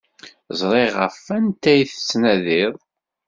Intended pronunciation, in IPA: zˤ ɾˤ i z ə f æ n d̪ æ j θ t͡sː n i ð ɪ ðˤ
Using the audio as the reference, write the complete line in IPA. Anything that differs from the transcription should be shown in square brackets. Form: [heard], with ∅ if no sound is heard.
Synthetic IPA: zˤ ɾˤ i [ʁ] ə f æ n [t̪] æ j θ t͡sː n [æ] ð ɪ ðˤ